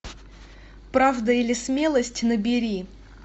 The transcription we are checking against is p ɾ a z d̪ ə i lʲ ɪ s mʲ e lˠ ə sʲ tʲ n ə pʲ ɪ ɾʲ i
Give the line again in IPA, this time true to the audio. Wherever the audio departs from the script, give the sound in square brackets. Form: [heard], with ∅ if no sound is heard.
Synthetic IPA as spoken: p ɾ a [v] d̪ ə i lʲ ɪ s mʲ e lˠ ə sʲ tʲ n ə [bʲ] ɪ ɾʲ i